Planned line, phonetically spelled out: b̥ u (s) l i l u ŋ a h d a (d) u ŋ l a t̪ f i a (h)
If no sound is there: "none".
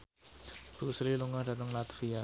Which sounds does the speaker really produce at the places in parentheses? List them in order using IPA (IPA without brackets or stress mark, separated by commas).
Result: s, n, none